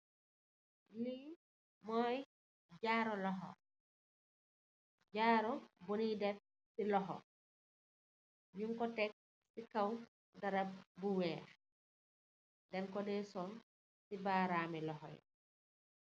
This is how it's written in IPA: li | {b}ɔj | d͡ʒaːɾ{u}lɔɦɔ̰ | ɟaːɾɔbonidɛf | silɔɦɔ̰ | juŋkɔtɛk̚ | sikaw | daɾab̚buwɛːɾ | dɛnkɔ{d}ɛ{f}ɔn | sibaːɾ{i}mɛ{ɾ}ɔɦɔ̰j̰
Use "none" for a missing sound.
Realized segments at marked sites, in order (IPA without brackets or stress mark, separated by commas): m, ɔ, d, s, a, l